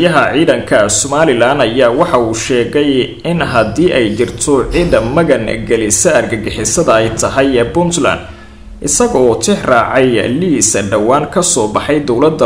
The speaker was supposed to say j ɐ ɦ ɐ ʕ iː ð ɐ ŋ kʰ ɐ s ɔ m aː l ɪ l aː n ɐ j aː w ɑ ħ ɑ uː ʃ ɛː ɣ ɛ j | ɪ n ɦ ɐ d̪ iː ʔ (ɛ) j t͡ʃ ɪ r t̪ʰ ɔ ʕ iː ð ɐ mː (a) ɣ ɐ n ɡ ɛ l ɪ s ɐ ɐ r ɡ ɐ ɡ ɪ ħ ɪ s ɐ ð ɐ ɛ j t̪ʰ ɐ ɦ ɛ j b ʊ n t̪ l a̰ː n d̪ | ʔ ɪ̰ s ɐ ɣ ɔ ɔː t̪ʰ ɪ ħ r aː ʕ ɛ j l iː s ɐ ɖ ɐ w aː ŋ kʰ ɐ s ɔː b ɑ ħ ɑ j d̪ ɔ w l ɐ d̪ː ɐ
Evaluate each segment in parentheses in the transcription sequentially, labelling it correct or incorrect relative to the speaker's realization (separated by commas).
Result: correct, incorrect